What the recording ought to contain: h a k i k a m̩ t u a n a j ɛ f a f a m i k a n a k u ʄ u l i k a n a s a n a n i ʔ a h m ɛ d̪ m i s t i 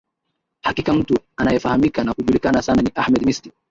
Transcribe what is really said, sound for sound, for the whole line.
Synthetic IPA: h a k i k a m̩ t u a n a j ɛ f a h a m i k a n a k u ʄ u l i k a n a s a n a n i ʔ a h m ɛ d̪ m i s t i